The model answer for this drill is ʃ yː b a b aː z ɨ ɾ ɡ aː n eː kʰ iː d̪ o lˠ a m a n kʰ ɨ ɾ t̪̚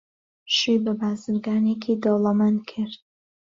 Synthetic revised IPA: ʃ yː b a b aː z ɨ ɾ ɡ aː n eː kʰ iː d̪ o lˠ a m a n kʰ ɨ ɾ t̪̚